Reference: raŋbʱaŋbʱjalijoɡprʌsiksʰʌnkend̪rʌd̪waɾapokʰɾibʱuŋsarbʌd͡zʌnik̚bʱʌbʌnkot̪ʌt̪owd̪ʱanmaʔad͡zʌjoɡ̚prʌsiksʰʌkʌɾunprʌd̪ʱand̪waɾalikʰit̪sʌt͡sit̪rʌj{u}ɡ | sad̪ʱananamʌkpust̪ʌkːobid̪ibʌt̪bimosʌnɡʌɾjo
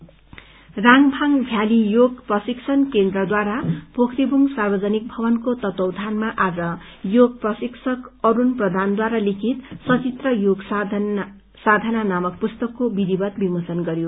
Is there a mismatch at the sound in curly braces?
yes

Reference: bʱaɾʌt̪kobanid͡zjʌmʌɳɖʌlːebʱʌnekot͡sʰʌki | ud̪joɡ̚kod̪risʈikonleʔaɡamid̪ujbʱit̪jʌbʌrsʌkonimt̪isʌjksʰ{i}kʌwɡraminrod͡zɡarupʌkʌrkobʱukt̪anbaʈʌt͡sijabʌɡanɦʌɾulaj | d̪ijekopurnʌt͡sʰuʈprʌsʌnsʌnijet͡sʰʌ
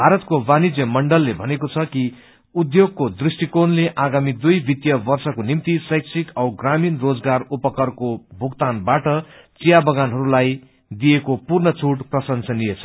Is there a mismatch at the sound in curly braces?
no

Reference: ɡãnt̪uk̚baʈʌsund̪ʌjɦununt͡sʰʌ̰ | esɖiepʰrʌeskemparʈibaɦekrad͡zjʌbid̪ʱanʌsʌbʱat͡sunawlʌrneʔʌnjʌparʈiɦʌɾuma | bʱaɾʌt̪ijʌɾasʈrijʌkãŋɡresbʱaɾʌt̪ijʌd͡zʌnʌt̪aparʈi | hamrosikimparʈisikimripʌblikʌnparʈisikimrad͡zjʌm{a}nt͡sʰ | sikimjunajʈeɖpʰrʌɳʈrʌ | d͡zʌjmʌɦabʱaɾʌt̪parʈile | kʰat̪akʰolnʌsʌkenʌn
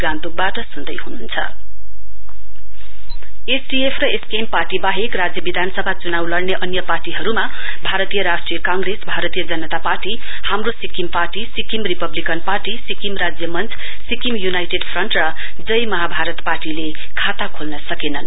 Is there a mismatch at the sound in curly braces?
yes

